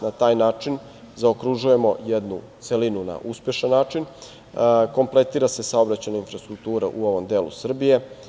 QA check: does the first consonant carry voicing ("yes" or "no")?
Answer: yes